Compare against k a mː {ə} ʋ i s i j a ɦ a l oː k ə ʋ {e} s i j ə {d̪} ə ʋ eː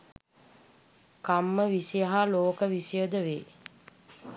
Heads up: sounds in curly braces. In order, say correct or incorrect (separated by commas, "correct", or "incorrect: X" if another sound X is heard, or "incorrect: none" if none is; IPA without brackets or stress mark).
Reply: correct, incorrect: i, correct